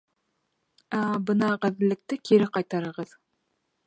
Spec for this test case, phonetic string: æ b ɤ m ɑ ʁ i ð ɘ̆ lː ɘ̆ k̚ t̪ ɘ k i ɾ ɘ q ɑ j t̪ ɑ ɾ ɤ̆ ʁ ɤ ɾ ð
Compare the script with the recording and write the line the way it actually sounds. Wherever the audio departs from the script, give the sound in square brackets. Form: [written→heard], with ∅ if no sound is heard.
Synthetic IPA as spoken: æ b ɤ [m→n] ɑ ʁ [i→æ] ð ɘ̆ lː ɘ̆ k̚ t̪ ɘ k i ɾ ɘ q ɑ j t̪ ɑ ɾ ɤ̆ ʁ ɤ [ɾ→∅] ð

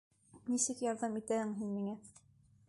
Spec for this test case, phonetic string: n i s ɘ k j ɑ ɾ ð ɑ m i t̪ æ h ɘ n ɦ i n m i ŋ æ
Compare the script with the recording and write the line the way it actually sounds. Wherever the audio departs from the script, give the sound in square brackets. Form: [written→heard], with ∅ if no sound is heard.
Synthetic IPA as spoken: n i s ɘ k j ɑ ɾ ð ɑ m i t̪ æ h ɘ [n→ŋ] ɦ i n m i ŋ æ

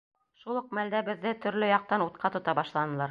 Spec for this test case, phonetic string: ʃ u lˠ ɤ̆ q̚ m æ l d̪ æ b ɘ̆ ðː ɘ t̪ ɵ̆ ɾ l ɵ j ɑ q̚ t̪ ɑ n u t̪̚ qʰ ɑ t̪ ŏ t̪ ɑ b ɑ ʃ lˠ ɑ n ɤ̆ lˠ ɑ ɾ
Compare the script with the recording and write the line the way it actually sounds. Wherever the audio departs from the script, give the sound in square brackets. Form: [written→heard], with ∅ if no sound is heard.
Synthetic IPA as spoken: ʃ u lˠ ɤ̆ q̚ m æ l d̪ æ b ɘ̆ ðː ɘ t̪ ɵ̆ ɾ l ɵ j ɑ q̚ t̪ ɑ n u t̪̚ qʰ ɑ t̪ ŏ t̪ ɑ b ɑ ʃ lˠ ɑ n ɤ̆ lˠ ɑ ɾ

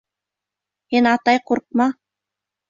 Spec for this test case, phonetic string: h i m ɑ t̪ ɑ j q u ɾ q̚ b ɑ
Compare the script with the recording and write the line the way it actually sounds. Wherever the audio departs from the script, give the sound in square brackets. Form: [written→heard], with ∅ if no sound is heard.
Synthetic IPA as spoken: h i [m→n] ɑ t̪ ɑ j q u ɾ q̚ [b→m] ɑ

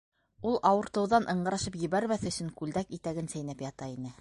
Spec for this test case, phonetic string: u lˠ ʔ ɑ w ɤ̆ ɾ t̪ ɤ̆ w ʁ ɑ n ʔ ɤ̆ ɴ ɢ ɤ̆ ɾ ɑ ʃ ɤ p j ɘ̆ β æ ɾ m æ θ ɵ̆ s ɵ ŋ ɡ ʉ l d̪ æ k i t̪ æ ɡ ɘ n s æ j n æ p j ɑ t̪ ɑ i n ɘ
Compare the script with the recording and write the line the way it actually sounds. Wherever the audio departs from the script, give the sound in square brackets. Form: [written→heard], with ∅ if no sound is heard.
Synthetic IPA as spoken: u lˠ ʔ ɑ w ɤ̆ ɾ t̪ ɤ̆ w [ʁ→ð] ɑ n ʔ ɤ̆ ɴ ɢ ɤ̆ ɾ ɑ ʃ ɤ p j ɘ̆ β æ ɾ m æ θ ɵ̆ s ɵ ŋ [ɡ→k] ʉ l d̪ æ k i t̪ æ ɡ ɘ n s æ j n æ p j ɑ t̪ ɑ i n ɘ

